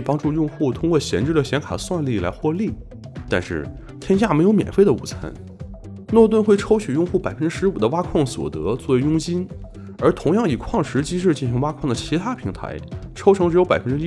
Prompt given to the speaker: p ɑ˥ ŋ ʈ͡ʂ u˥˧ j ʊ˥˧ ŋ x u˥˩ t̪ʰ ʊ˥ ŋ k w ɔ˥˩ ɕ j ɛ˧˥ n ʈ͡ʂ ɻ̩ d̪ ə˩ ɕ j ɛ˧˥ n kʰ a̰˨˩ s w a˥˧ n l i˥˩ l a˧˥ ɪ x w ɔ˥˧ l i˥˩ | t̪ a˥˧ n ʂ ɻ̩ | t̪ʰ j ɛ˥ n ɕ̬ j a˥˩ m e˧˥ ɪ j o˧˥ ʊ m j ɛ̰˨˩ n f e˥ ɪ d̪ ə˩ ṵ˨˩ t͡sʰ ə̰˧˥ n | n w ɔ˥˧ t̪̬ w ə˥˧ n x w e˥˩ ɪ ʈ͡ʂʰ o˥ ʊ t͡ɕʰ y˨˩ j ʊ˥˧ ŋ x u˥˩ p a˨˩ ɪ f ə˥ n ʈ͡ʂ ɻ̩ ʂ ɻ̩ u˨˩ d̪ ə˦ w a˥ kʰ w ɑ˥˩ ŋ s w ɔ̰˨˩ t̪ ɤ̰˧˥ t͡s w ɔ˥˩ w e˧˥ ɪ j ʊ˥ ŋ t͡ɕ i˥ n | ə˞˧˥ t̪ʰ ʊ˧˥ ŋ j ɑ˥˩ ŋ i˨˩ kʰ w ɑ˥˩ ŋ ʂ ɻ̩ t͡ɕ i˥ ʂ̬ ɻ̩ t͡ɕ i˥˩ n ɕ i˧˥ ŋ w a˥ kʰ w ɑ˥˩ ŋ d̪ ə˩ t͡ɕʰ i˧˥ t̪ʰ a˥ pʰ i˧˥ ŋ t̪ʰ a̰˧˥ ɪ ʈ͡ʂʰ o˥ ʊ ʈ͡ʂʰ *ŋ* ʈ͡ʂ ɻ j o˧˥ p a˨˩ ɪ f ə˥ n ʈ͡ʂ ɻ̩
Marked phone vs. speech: correct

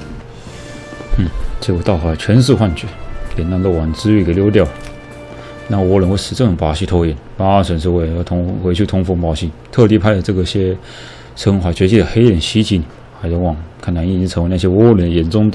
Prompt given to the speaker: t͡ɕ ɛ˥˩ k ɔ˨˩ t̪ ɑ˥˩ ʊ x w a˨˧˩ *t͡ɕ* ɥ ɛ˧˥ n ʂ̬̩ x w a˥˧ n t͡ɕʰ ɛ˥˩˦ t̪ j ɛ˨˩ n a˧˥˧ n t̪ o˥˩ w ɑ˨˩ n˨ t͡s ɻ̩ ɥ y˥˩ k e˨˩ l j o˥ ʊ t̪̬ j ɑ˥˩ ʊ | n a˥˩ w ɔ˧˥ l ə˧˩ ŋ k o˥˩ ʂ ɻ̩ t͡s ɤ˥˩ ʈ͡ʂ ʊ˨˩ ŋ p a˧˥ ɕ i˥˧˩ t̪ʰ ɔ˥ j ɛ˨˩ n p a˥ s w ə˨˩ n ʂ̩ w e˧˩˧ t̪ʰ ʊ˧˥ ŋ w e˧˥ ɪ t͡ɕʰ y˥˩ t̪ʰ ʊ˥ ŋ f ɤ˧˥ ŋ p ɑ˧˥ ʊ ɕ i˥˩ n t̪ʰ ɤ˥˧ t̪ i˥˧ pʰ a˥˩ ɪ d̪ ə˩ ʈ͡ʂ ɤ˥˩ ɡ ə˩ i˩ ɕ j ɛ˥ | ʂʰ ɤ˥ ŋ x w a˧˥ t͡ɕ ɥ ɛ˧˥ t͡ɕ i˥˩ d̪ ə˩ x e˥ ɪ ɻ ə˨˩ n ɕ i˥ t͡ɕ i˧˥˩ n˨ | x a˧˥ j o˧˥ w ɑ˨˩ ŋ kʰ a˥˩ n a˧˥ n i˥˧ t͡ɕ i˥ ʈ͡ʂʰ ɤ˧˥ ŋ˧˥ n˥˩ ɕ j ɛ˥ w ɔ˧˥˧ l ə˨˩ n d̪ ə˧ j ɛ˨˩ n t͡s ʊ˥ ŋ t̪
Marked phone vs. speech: incorrect: t͡ɕʰ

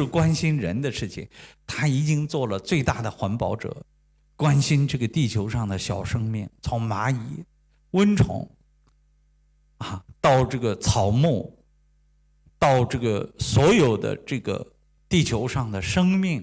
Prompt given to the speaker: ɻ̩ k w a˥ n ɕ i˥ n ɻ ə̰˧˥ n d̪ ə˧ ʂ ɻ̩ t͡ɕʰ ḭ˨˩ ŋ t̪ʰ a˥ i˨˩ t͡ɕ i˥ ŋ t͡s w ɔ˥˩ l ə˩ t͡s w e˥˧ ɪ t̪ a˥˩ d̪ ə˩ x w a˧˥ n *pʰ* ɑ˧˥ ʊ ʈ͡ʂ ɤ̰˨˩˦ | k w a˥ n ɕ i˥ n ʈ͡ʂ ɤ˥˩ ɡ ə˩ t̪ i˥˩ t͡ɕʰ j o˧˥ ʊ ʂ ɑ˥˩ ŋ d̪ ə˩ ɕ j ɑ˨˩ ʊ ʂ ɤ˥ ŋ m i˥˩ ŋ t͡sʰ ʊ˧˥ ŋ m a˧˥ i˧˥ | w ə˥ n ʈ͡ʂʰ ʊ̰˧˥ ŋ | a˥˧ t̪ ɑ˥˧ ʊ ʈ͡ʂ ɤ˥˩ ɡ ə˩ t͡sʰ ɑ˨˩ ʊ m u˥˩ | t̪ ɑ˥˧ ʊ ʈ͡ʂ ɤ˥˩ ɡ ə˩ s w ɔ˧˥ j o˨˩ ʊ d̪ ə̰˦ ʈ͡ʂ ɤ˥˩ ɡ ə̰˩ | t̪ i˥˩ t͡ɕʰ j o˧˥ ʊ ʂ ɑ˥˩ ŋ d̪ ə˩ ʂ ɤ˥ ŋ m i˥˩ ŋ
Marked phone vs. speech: incorrect: p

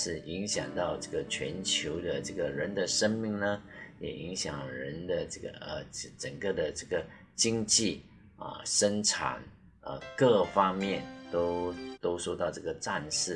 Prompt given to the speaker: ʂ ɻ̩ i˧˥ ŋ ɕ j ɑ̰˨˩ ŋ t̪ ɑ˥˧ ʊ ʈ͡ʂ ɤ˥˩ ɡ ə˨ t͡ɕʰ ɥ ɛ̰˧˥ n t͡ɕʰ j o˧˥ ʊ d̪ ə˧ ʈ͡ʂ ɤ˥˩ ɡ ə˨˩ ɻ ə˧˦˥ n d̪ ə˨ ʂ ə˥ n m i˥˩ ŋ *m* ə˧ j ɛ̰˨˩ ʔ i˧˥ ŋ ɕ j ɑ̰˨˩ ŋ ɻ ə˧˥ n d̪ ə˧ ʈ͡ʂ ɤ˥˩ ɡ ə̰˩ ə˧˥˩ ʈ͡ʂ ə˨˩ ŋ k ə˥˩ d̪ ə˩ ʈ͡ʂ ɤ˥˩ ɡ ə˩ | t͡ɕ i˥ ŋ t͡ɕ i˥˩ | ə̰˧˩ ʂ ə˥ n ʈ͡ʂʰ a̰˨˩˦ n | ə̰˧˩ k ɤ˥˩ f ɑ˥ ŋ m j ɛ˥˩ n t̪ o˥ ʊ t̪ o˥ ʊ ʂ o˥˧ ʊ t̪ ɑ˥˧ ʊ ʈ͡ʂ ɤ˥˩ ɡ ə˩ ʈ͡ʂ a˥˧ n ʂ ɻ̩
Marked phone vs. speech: incorrect: n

